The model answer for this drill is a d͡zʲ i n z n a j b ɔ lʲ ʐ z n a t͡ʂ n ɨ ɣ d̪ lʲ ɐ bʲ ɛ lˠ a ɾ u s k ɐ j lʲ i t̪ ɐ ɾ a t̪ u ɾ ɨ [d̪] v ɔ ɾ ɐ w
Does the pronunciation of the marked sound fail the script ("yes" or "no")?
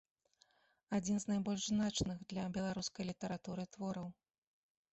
yes